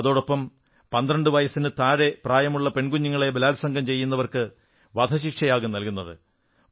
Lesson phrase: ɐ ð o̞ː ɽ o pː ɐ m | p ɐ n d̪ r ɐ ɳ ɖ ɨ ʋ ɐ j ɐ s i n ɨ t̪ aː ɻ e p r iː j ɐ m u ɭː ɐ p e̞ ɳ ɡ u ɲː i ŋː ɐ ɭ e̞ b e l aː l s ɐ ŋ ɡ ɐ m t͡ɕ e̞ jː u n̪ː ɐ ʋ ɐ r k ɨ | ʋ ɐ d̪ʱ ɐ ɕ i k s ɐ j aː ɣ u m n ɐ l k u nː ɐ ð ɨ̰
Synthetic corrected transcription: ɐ ð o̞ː ɽ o pː ɐ m | p ɐ n d̪ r ɐ ɳ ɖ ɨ ʋ ɐ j ɐ s i n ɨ t̪ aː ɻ e p r aː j ɐ m u ɭː ɐ p e̞ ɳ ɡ u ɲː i ŋː ɐ ɭ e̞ b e l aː l s ɐ ŋ ɡ ɐ m t͡ɕ e̞ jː u n̪ː ɐ ʋ ɐ r k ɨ | ʋ ɐ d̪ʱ ɐ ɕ i k ʂ ɐ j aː ɣ u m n ɐ l k u nː ɐ ð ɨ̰